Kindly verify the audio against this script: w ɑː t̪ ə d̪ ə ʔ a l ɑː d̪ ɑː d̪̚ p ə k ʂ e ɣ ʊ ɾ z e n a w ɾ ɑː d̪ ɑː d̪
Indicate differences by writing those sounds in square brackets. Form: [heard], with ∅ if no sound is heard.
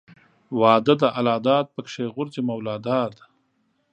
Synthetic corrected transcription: w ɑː [d̪] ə d̪ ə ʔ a l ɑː d̪ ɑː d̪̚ p ə k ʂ e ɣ ʊ ɾ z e [m] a w [l] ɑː d̪ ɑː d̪